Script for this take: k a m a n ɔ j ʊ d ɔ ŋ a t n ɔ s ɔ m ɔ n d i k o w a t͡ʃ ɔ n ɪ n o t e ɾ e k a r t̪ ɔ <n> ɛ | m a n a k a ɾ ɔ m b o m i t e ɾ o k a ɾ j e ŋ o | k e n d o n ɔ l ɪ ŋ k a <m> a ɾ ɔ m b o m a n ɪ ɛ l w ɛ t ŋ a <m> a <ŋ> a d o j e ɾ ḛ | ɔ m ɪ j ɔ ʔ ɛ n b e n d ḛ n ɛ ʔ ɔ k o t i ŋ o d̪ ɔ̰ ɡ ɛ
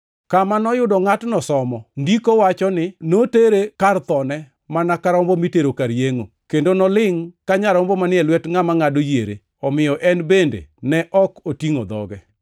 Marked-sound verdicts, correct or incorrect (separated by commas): correct, incorrect, correct, correct